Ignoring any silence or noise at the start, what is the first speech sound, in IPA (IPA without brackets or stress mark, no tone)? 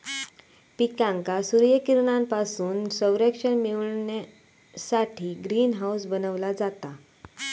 p